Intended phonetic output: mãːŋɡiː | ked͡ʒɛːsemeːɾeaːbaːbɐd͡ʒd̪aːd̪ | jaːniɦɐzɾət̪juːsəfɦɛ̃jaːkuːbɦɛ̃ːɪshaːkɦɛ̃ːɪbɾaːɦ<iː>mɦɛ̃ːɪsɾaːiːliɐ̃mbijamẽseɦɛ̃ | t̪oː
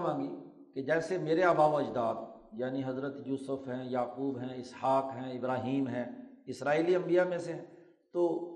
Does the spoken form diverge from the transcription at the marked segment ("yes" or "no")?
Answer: no